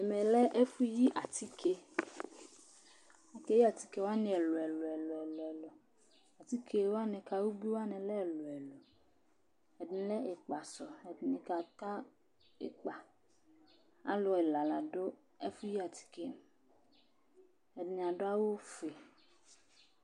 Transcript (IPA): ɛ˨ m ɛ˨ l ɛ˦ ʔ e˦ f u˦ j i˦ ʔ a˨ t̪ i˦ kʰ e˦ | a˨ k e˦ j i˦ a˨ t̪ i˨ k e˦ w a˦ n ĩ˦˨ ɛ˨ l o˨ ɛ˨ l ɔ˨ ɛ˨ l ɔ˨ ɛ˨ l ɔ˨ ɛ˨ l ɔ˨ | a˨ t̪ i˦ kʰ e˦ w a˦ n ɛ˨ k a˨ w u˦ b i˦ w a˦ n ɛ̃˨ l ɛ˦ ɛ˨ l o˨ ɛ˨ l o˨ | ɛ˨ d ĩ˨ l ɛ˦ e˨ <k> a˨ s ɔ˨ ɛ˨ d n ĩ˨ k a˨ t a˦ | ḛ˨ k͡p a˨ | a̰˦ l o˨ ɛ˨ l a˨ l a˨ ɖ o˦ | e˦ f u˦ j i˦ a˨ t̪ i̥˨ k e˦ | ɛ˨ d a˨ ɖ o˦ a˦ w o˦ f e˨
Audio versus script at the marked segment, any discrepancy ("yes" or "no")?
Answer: yes